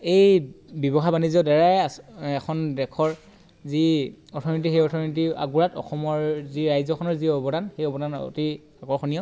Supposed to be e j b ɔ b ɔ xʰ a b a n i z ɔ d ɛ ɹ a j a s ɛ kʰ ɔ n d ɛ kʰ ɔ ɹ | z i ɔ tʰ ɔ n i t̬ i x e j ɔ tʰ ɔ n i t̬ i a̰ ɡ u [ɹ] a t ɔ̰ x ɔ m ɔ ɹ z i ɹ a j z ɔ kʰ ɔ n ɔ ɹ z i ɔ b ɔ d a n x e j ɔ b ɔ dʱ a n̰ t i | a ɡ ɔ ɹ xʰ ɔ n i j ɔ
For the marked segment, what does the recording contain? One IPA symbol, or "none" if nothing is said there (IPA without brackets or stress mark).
ɹ